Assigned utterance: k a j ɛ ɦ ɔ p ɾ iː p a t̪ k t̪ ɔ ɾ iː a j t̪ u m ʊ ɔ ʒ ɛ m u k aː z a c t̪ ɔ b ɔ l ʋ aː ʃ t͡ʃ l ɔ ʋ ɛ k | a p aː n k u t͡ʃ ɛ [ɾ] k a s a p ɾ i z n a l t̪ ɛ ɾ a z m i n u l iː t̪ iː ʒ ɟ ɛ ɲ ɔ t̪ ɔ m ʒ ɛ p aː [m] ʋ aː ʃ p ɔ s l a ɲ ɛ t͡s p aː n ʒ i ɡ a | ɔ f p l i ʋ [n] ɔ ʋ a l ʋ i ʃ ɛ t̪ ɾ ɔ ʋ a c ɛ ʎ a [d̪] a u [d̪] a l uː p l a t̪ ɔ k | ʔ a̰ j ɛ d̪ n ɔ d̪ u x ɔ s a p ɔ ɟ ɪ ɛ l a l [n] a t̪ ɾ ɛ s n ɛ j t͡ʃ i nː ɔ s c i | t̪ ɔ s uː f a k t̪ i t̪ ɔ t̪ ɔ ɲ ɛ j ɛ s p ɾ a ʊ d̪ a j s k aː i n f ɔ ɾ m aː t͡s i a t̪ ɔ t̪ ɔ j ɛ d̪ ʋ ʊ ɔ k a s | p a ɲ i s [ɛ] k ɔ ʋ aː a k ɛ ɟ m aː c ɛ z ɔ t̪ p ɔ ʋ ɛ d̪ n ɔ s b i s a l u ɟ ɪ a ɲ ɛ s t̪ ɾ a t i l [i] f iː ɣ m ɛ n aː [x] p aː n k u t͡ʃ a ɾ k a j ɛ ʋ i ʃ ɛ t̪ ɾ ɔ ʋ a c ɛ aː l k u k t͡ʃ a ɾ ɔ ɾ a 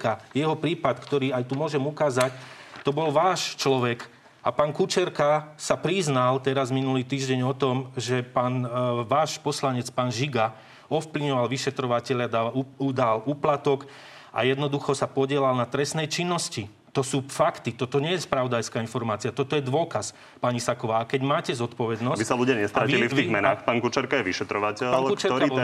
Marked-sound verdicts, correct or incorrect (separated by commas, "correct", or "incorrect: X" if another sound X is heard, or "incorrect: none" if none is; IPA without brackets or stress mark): correct, incorrect: n, incorrect: ɲ, correct, correct, correct, incorrect: a, correct, correct